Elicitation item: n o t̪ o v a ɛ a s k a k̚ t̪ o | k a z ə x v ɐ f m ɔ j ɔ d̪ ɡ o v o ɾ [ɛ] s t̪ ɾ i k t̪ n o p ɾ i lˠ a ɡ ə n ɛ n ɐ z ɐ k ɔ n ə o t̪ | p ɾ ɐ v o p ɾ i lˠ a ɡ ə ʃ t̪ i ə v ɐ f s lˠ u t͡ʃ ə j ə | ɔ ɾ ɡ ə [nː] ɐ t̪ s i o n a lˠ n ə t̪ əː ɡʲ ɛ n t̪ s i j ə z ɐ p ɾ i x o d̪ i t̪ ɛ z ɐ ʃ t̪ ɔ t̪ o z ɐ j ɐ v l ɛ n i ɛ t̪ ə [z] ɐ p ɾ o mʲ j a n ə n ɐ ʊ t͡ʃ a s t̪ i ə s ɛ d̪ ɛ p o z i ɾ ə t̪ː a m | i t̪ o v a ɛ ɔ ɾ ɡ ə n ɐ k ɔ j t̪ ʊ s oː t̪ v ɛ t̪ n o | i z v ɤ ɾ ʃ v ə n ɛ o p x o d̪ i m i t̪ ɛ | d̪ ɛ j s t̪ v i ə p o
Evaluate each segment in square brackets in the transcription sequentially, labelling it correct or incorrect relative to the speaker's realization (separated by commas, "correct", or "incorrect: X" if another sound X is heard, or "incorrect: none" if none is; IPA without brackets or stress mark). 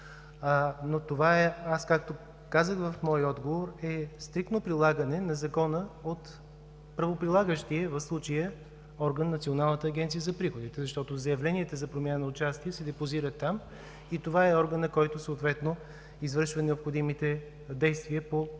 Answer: correct, correct, correct